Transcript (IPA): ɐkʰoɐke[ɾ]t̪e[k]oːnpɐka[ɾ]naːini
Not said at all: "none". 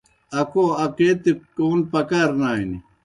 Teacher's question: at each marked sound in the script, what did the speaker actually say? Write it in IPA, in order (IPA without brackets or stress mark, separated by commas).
none, k, ɾ